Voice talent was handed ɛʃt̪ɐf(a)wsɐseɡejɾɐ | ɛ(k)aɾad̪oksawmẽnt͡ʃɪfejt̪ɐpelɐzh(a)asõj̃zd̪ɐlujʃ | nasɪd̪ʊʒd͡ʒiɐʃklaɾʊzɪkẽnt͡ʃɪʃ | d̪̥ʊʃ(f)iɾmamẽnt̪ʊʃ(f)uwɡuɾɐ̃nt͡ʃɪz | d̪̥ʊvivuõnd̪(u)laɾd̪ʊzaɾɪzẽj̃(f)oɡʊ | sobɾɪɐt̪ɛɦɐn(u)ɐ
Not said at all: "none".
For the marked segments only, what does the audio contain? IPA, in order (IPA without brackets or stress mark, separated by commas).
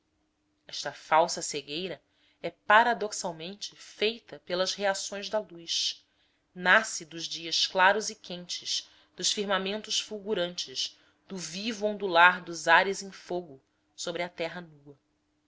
a, p, e, f, f, u, f, u